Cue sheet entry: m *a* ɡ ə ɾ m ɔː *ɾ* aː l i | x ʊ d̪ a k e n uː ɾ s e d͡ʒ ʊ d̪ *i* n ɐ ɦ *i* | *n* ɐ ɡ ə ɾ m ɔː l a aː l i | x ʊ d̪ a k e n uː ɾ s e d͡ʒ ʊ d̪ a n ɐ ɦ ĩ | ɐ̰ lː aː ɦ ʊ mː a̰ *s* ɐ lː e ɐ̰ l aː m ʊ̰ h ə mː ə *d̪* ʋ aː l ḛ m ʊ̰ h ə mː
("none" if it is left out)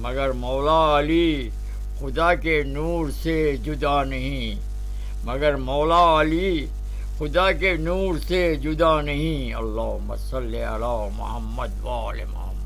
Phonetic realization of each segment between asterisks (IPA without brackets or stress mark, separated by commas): ɐ, l, a, ĩ, m, s, d̪